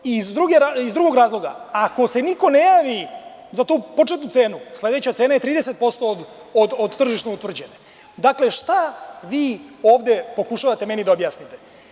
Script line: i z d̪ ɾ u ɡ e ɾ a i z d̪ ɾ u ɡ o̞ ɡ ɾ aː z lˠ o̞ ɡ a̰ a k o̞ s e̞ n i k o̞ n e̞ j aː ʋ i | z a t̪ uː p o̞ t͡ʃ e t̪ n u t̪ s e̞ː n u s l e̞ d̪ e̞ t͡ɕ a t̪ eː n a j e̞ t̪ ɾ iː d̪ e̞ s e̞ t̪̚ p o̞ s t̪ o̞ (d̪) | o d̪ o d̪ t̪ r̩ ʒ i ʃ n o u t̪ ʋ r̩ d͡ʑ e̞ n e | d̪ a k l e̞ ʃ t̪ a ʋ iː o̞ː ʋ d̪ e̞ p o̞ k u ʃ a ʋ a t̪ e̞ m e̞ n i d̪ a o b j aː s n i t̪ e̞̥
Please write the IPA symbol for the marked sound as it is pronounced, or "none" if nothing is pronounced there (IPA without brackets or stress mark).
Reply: d̪